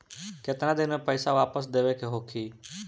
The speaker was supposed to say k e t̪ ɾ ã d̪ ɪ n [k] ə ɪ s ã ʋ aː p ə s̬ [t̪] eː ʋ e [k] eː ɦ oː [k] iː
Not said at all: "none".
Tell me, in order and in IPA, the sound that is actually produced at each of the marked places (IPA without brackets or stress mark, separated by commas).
p, d̪, kʰ, kʰ